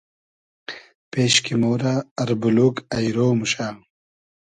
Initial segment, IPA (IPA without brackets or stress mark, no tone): p